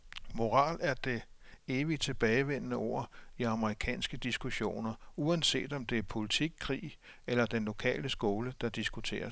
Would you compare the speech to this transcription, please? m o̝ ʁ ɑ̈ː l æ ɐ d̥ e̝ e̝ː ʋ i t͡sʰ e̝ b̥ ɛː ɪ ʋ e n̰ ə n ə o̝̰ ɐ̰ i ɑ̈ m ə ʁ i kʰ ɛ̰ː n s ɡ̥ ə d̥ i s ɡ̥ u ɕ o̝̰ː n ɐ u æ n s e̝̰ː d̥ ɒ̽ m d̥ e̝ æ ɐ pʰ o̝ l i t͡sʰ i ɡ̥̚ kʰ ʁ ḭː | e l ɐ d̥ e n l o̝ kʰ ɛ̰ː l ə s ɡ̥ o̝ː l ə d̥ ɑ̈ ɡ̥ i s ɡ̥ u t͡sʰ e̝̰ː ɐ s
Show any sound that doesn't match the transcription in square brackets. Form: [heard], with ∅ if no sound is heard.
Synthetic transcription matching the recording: m o̝ ʁ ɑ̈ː l æ ɐ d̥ e̝ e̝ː ʋ i t͡sʰ e̝ b̥ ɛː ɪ ʋ e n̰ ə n ə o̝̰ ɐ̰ i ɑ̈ m ə ʁ i kʰ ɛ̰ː n s ɡ̥ ə d̥ i s ɡ̥ u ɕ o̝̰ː n ɐ u æ n s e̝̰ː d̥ ɒ̽ m d̥ e̝ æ ɐ pʰ o̝ l i t͡sʰ i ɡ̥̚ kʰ ʁ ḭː | e l ɐ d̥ e n l o̝ kʰ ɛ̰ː l ə s ɡ̥ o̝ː l ə d̥ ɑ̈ [d̥] i s ɡ̥ u t͡sʰ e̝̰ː ɐ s

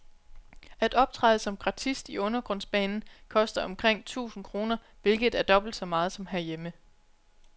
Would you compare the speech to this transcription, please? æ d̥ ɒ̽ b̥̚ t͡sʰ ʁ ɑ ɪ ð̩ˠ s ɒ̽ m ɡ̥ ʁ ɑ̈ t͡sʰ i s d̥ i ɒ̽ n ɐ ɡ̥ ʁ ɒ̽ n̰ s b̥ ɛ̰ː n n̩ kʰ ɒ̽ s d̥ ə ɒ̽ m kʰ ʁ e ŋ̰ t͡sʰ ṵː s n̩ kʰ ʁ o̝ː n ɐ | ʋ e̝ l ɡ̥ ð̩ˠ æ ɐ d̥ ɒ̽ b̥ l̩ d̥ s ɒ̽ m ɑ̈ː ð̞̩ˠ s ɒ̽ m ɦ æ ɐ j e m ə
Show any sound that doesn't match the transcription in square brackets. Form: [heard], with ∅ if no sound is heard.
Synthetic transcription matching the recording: æ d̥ ɒ̽ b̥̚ t͡sʰ ʁ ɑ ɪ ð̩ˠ s ɒ̽ m ɡ̥ ʁ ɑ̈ t͡sʰ i s d̥ i [ɔ̽] n ɐ ɡ̥ ʁ [ɔ̽] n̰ s b̥ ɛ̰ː n n̩ kʰ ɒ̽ s d̥ [ɐ] ɒ̽ m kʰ ʁ e ŋ̰ t͡sʰ ṵː s n̩ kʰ ʁ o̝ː n ɐ | ʋ e̝ l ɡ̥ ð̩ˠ æ ɐ d̥ ɒ̽ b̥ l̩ d̥ s ɒ̽ m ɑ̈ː ð̞̩ˠ s ɒ̽ m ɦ æ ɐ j e m ə

